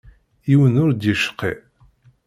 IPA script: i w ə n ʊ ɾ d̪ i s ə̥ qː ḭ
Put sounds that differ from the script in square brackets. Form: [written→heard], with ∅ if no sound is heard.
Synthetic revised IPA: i w ə n ʊ ɾ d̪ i [s→ʃ] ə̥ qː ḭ

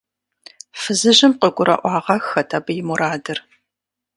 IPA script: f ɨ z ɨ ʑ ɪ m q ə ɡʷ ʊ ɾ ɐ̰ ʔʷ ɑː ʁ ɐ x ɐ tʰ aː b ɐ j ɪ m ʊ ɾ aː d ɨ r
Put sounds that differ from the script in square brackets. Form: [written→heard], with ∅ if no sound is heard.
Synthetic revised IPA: f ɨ z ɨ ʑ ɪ m q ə ɡʷ ʊ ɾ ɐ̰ ʔʷ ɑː ʁ ɐ x ɐ tʰ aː b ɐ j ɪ m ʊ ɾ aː d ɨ r

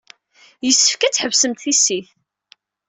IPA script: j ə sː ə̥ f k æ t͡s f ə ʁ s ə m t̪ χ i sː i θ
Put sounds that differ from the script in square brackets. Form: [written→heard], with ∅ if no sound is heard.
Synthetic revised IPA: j ə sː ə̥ f k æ t͡s [f→ħ] ə [ʁ→v] s ə m t̪ [χ→θ] i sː i θ

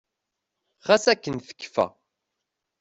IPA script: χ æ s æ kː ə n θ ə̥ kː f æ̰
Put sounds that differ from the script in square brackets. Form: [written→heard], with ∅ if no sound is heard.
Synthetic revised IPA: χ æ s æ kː ə n θ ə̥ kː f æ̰

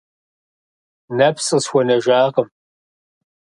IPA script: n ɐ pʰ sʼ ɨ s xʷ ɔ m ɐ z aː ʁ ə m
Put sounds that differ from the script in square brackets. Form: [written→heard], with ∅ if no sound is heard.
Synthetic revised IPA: n ɐ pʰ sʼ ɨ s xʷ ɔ [m→n] ɐ [z→ʒ] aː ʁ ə m

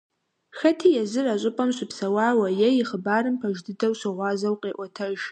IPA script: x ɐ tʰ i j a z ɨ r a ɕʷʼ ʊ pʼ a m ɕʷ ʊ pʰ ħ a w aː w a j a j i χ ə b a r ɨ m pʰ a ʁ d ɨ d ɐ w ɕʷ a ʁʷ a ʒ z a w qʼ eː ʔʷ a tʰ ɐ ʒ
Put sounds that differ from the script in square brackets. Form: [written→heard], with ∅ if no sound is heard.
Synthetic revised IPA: x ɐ tʰ i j a z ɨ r a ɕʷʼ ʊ pʼ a m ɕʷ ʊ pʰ [ħ→s] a w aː w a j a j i χ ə b a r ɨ m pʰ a [ʁ→ʒ] d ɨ d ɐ w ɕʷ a ʁʷ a [ʒ→∅] z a w qʼ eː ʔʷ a tʰ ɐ ʒ

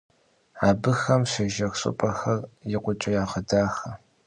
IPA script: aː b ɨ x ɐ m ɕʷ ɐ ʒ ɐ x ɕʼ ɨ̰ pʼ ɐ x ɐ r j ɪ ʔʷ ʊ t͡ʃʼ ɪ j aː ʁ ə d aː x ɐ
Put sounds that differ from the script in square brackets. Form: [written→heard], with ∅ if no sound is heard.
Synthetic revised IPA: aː b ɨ x ɐ m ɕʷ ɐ ʒ ɐ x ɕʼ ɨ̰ pʼ ɐ x ɐ r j ɪ [ʔʷ→qʷ] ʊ t͡ʃʼ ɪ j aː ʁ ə d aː x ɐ

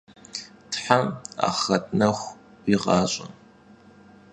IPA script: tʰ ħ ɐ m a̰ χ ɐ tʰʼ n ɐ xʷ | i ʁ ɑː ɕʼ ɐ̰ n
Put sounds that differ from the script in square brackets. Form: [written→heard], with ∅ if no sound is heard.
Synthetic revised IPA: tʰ ħ [ɐ→a] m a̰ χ ɐ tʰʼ n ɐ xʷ | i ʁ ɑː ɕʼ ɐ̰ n

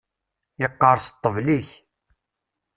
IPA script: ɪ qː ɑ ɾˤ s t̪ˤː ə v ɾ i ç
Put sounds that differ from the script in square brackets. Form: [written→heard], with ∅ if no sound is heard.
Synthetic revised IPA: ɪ qː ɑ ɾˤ s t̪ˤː ə v [ɾ→l] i ç

